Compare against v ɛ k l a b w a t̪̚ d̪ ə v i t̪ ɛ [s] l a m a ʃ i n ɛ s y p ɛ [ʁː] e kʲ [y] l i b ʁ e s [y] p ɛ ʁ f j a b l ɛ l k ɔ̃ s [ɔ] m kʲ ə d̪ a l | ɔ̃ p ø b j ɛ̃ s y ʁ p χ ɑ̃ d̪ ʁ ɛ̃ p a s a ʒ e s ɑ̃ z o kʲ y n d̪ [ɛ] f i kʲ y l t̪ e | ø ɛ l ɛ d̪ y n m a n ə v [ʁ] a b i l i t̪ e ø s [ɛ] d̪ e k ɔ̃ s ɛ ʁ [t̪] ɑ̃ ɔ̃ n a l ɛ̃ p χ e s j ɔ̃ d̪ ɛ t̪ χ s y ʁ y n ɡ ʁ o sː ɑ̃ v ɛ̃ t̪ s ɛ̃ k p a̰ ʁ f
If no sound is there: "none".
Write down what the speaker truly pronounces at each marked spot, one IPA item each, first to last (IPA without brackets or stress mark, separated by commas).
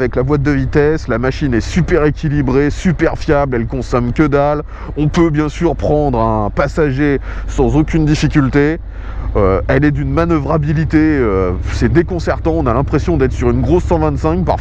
s, ʁ, i, y, ɔ, i, ʁ, ɛ, t̪